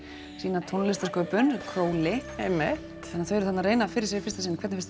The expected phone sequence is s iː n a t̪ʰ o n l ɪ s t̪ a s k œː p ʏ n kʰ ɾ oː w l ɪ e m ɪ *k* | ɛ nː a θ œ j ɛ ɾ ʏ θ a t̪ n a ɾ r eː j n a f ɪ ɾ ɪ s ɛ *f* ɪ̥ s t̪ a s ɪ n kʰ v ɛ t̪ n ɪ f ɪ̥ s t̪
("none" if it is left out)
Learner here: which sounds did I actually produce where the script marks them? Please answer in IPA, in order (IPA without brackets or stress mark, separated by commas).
t, f